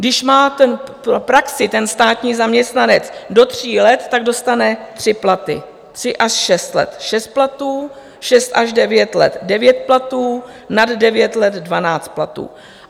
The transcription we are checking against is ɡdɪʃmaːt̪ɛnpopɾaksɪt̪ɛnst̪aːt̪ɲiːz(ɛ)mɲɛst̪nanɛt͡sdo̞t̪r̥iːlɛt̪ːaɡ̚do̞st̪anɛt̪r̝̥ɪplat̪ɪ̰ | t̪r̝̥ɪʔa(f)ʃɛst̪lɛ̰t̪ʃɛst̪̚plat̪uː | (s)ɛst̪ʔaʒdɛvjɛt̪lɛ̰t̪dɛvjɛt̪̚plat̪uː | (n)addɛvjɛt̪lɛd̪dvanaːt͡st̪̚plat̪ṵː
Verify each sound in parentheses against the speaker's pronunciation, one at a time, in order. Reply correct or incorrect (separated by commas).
incorrect, incorrect, incorrect, correct